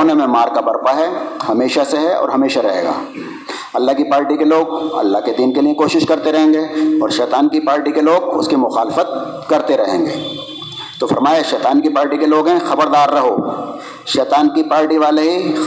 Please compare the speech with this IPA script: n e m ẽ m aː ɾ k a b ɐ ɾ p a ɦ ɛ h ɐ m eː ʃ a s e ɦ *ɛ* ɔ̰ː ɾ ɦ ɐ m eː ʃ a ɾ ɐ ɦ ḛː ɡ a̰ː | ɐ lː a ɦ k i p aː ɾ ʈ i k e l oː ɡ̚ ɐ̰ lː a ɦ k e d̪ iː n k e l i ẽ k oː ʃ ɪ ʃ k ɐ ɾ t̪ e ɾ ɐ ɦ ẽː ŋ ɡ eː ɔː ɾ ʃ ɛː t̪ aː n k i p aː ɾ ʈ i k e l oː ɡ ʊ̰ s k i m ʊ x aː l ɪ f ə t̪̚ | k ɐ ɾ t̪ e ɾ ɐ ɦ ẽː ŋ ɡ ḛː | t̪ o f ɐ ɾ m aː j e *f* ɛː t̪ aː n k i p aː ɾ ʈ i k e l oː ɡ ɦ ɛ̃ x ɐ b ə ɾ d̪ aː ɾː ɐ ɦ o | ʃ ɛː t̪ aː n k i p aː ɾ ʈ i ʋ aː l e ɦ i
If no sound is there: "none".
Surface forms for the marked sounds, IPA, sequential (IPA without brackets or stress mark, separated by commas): ɛ, ʃ